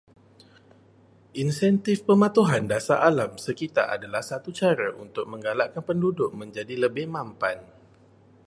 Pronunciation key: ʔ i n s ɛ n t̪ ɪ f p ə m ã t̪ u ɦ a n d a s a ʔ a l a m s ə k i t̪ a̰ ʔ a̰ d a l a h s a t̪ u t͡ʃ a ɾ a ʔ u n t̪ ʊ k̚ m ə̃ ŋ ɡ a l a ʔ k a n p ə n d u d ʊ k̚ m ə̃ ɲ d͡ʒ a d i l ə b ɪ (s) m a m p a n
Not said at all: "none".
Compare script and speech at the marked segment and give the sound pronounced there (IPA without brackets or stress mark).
h